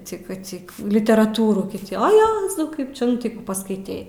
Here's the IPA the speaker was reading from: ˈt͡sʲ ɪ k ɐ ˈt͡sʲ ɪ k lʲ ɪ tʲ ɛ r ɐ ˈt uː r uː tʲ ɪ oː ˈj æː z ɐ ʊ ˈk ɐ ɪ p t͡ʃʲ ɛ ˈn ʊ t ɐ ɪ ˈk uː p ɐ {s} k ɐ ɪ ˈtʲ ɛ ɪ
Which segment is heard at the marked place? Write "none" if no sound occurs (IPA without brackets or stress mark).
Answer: s